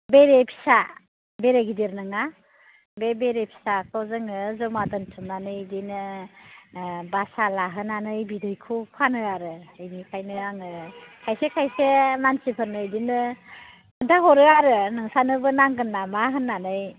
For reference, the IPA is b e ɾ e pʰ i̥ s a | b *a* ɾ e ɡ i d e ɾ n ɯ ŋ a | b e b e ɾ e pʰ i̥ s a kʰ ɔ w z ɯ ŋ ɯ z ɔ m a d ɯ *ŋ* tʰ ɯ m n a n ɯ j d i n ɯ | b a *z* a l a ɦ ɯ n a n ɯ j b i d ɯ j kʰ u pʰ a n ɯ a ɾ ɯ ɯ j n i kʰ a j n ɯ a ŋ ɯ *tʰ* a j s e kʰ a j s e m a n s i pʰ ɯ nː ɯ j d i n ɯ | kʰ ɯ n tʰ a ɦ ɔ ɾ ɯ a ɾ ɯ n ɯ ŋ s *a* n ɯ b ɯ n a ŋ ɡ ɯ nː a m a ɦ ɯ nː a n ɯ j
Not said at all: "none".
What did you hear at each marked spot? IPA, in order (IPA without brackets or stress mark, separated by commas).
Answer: e, n, s, kʰ, a